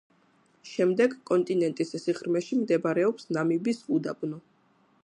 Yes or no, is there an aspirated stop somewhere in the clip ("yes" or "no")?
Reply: no